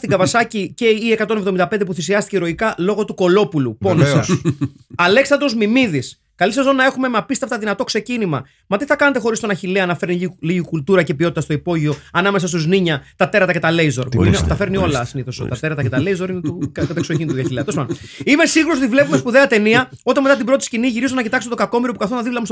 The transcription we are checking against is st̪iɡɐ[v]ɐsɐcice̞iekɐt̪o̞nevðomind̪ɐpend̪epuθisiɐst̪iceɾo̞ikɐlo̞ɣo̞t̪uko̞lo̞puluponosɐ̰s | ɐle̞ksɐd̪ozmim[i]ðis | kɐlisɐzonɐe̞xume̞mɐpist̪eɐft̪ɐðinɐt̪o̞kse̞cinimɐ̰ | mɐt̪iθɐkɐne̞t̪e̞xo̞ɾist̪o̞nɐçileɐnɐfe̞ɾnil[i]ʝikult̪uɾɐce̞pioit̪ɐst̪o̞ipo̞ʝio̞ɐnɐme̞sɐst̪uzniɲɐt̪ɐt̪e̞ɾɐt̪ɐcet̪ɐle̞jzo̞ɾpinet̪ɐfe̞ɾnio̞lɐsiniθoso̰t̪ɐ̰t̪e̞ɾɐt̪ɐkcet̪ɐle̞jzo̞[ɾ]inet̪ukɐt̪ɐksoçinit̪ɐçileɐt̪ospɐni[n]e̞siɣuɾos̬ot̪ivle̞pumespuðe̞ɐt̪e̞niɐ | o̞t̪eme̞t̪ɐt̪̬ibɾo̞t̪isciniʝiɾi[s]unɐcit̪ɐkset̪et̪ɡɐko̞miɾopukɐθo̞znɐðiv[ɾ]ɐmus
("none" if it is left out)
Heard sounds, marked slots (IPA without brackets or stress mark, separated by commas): v, i, i, ɾ, m, z, l